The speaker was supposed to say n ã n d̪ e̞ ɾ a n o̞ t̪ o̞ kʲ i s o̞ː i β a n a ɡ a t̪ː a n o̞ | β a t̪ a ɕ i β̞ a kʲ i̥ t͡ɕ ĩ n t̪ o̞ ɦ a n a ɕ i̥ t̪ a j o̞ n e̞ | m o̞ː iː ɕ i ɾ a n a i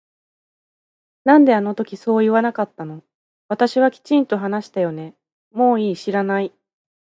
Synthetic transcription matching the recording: n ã n d̪ e̞ a n o̞ t̪ o̞ kʲ i s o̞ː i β a n a k a t̪ː a n o̞ | β a t̪ a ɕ i β̞ a kʲ i̥ t͡ɕ ĩ n t̪ o̞ ɦ a n a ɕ i̥ t̪ a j o̞ n e̞ | m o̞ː iː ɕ i ɾ a n a i